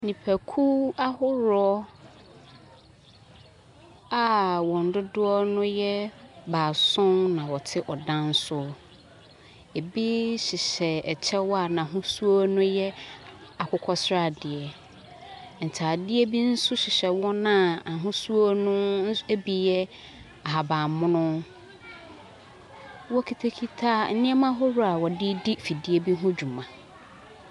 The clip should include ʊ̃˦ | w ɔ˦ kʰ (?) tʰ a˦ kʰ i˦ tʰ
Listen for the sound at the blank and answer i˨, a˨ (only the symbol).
i˨